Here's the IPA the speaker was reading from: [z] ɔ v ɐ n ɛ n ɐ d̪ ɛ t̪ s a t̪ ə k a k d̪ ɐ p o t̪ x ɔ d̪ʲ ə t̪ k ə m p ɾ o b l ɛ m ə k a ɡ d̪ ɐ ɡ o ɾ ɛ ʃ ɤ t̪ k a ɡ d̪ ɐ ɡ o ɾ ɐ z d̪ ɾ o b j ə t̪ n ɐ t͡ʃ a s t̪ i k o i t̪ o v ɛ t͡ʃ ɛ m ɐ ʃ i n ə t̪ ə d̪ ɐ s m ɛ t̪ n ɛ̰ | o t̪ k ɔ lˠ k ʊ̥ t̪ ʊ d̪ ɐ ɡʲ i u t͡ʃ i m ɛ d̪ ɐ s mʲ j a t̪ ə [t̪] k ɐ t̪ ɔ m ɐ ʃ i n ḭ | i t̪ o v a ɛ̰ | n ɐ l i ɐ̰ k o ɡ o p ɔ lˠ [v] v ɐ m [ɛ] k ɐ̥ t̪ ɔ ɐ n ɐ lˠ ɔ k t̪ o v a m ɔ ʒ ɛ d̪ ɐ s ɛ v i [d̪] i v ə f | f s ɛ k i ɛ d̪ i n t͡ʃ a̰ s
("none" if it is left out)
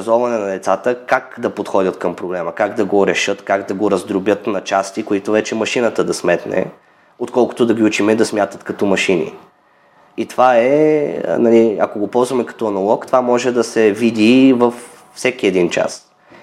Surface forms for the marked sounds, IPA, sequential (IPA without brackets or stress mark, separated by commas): z, t̪, z, ɛ, d̪